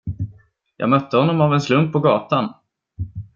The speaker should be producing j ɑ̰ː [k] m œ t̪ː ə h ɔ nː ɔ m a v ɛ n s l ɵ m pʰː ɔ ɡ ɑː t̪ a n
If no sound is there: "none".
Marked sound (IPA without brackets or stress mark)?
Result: ɡ